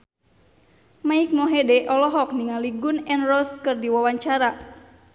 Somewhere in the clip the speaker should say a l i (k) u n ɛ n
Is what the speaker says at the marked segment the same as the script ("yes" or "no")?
no